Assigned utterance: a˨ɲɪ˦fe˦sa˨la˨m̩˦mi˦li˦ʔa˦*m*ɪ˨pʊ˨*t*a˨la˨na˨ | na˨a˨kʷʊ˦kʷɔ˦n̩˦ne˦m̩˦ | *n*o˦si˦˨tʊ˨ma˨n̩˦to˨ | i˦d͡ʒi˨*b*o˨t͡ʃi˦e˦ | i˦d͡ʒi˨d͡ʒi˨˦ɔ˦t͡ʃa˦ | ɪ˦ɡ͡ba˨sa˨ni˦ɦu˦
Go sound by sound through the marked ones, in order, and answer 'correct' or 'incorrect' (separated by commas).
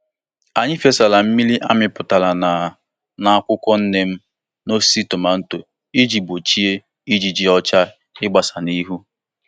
correct, correct, correct, correct